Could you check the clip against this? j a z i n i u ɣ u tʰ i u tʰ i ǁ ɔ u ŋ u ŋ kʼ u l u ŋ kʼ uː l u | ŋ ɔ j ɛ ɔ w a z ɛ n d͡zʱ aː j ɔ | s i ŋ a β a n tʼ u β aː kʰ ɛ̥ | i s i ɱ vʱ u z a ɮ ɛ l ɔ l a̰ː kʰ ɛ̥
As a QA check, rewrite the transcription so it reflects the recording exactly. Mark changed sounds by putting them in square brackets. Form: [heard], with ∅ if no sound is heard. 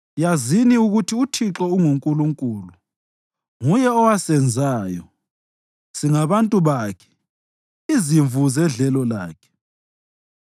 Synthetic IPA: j a z i n i u ɣ u tʰ i u tʰ i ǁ ɔ u ŋ u ŋ kʼ u l u ŋ kʼ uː l u | ŋ [u] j ɛ ɔ w a [s] ɛ n d͡zʱ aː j ɔ | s i ŋ a β a n tʼ u β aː kʰ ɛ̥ | i [z] i ɱ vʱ u z [ɛ] ɮ ɛ l ɔ l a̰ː kʰ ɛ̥